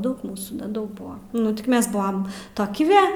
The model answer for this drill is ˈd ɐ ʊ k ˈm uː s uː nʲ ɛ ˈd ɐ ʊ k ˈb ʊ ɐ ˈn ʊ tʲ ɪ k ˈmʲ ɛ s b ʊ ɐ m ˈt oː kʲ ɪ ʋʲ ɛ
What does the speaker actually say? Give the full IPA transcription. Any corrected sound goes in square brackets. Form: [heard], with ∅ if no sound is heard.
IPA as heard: ˈd ɐ ʊ k ˈm uː s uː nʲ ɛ ˈd ɐ ʊ k ˈb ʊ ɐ ˈn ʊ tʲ ɪ k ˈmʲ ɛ s b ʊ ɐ m ˈt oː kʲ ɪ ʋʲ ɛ